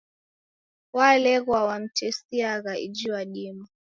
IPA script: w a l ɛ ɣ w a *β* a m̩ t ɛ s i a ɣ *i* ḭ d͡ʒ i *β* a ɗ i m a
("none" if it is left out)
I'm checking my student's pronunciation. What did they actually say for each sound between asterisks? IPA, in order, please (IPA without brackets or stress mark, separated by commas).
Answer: w, a, w